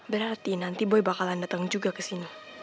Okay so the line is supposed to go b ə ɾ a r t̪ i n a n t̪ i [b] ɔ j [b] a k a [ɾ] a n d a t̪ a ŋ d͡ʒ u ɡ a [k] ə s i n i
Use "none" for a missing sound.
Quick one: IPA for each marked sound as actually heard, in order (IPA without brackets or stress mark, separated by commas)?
b, b, l, k